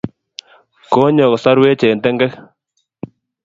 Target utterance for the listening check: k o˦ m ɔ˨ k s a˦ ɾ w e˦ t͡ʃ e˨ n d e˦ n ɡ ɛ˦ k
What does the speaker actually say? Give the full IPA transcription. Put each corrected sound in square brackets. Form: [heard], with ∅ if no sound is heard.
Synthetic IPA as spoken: k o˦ [ɲ] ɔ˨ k s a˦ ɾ w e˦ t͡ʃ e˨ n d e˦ [ŋ] ɡ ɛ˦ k